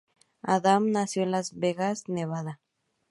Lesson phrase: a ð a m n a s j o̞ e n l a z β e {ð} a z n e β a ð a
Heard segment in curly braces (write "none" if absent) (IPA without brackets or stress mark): ɣ